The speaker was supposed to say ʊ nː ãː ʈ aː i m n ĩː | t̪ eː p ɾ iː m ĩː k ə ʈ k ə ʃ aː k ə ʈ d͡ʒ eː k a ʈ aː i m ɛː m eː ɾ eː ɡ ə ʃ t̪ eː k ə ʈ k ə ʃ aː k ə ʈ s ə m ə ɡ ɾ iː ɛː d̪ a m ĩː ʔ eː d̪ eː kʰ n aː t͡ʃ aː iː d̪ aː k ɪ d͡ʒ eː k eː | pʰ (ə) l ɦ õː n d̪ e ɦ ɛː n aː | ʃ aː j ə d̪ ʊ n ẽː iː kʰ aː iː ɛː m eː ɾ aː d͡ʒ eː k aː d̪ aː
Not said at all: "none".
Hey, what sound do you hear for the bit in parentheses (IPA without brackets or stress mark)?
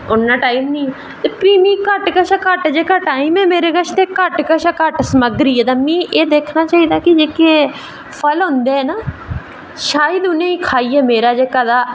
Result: ə